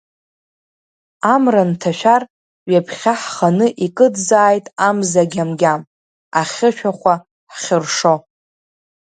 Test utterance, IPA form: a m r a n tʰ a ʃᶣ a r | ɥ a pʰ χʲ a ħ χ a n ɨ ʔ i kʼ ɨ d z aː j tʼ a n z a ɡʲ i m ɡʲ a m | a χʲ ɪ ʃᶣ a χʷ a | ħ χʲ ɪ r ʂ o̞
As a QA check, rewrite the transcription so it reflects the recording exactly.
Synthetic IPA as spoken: a m r a n tʰ a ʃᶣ a r | ɥ a pʰ χʲ a ħ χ a n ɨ ʔ i kʼ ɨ d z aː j tʼ a m z a ɡʲ a m ɡʲ a m | a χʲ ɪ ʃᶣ a χʷ a | ħ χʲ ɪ r ʂ o̞